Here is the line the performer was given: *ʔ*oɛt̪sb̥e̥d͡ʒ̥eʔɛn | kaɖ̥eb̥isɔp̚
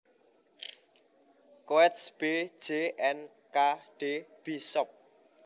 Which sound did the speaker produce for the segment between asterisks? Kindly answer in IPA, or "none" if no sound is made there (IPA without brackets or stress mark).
k